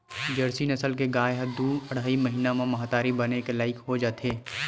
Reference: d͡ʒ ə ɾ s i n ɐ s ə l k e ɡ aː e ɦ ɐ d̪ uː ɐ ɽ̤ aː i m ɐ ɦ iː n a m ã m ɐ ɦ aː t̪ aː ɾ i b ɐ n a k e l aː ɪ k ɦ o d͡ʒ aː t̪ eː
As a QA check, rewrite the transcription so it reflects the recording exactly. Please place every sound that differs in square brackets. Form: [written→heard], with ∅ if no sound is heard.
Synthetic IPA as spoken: d͡ʒ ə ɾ s i n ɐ s ə l k e ɡ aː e ɦ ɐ d̪ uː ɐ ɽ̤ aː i m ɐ ɦ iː n a m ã m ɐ ɦ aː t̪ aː ɾ i b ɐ n [a→e] k e l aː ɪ k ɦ o d͡ʒ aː t̪ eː